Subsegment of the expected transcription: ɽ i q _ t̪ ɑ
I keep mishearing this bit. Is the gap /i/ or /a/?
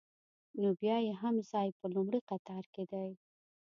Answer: a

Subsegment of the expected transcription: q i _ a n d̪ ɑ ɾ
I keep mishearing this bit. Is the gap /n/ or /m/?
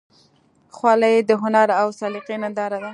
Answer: n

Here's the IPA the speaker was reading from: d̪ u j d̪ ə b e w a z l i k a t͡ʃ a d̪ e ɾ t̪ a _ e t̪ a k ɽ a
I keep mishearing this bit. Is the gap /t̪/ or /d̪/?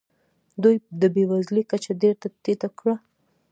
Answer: t̪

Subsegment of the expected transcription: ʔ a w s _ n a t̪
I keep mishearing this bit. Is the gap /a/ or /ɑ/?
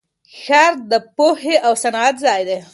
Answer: a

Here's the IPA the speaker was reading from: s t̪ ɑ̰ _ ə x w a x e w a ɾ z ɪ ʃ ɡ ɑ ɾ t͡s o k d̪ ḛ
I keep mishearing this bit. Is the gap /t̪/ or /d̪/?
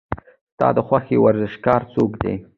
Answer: d̪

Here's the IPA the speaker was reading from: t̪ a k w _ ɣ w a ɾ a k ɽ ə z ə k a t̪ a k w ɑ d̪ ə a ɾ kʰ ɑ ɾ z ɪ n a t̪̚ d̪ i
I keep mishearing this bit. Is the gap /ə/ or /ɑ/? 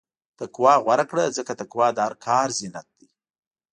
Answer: ɑ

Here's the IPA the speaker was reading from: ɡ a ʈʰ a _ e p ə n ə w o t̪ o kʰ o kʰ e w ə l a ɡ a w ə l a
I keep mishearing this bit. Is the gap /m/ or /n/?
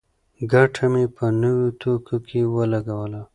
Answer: m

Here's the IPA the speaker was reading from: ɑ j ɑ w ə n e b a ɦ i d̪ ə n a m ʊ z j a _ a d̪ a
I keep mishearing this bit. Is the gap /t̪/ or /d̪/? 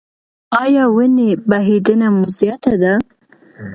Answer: t̪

